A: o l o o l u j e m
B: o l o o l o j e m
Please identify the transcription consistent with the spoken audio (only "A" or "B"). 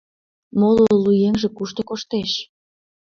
A